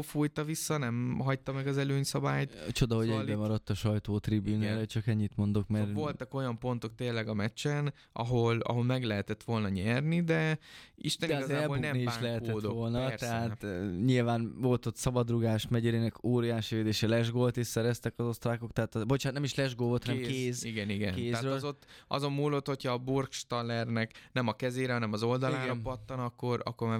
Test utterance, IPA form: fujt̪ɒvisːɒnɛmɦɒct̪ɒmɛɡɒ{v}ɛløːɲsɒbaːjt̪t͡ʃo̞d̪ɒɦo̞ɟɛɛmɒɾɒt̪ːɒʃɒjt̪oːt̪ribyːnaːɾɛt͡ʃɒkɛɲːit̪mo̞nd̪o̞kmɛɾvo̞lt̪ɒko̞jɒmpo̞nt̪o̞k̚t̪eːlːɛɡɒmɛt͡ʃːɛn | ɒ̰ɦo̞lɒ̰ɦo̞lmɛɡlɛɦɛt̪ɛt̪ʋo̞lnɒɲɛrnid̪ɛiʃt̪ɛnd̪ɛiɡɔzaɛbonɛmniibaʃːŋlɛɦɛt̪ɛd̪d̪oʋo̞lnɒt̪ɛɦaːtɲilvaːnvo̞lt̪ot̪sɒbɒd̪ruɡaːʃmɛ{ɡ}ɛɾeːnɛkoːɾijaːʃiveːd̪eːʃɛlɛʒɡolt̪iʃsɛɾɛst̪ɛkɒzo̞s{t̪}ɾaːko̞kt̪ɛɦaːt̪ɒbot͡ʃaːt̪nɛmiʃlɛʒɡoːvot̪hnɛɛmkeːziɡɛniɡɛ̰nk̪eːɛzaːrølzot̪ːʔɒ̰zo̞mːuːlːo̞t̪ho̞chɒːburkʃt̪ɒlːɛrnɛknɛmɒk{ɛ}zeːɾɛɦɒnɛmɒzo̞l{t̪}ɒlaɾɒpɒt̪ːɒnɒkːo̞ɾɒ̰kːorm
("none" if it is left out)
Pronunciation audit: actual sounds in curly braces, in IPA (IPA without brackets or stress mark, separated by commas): z, ɟ, t̪, ɛ, d̪